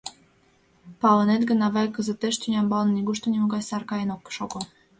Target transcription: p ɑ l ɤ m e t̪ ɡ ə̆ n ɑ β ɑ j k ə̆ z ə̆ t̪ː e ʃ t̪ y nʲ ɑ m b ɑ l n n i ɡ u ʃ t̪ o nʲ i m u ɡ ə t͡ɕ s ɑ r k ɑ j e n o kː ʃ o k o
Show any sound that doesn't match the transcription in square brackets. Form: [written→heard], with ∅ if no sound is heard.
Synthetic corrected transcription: p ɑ l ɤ [m→n] e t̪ ɡ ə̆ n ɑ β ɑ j k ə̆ z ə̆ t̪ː e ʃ t̪ y nʲ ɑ m b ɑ l n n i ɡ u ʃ t̪ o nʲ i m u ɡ [ə→ɑ] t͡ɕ s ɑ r k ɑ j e n o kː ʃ o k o

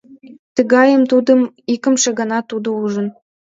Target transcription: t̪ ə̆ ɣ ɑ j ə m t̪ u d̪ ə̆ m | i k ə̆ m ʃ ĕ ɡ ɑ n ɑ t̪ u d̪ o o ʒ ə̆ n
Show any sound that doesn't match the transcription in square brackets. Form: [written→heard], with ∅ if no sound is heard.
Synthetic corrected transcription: t̪ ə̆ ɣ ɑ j ə m t̪ u d̪ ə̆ m | i k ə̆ m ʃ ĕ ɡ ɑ n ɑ t̪ u d̪ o [o→u] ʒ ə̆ n

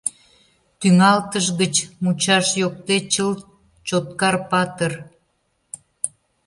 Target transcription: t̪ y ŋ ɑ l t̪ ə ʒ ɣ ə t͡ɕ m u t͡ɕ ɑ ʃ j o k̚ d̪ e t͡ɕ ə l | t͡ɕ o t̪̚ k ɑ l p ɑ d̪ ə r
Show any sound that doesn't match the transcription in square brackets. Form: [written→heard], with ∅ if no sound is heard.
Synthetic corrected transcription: t̪ y ŋ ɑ l t̪ ə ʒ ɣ ə t͡ɕ m u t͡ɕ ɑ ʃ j o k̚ [d̪→t̪] e t͡ɕ ə l | t͡ɕ o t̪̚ k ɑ [l→r] p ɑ [d̪→t̪] ə r

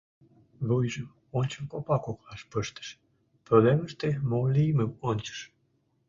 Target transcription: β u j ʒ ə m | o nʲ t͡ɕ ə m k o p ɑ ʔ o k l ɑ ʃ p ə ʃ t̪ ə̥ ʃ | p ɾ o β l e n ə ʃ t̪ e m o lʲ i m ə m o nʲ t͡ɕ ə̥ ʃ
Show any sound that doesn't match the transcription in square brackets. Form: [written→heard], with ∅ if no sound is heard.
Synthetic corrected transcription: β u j ʒ ə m | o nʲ t͡ɕ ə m k o p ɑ [ʔ→k] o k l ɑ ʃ p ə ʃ t̪ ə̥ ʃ | p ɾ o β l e [n→m] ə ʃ t̪ e m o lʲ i m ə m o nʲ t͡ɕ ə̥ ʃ

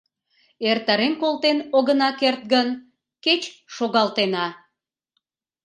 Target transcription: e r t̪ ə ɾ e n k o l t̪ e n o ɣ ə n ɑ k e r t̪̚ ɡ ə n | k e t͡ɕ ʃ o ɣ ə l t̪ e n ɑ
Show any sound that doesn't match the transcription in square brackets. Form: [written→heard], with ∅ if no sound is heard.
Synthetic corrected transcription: e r t̪ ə ɾ e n k o l t̪ e n o ɣ ə n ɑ k e r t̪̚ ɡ ə n | k e t͡ɕ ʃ o ɣ [ə→ɑ] l t̪ e n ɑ

